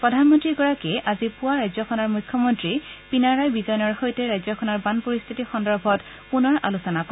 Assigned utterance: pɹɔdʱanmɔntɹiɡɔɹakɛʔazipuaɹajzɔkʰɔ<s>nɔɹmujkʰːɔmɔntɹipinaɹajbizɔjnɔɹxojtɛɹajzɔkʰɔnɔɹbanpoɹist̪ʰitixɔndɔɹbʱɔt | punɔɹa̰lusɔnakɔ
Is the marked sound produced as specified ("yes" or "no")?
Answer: no